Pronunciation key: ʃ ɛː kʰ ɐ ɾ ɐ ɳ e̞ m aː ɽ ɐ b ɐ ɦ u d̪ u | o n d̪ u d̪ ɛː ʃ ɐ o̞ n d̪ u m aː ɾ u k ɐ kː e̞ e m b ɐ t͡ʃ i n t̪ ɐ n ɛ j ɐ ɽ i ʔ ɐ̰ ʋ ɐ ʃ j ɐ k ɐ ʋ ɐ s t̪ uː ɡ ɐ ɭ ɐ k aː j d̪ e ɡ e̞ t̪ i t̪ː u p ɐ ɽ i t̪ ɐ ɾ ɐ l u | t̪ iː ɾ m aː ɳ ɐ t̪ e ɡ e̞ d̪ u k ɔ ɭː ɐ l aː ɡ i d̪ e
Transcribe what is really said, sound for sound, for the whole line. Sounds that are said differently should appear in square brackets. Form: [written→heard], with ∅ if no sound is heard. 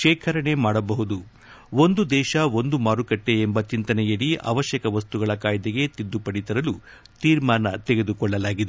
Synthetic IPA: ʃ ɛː kʰ ɐ ɾ ɐ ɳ e̞ m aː ɽ ɐ b ɐ ɦ u d̪ u | o n d̪ u d̪ ɛː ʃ ɐ o̞ n d̪ u m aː ɾ u k ɐ [kː→ʈː] e̞ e m b ɐ t͡ʃ i n t̪ ɐ n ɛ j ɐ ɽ i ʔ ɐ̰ ʋ ɐ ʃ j ɐ k ɐ ʋ ɐ s t̪ [uː→u] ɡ ɐ ɭ ɐ k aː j d̪ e ɡ e̞ t̪ i [t̪ː→d̪ː] u p ɐ ɽ i t̪ ɐ ɾ ɐ l u | t̪ iː ɾ m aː [ɳ→n] ɐ t̪ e ɡ e̞ d̪ u k ɔ ɭː ɐ l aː ɡ i d̪ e